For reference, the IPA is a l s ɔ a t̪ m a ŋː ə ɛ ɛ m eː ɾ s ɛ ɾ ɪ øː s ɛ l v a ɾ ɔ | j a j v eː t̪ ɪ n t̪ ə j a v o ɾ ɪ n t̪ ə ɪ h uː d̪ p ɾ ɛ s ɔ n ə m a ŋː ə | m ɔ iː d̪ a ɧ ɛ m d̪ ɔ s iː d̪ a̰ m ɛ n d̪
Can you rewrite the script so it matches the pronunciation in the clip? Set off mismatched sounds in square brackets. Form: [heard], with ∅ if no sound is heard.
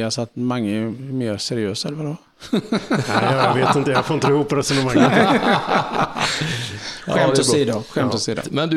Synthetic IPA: a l s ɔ a t̪ m a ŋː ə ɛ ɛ m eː ɾ s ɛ ɾ ɪ øː s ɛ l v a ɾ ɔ | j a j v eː t̪ ɪ n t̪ ə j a [f] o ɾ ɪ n t̪ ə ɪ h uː [∅] p ɾ ɛ s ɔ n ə m a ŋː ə | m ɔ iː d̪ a ɧ ɛ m [t̪] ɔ s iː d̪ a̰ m ɛ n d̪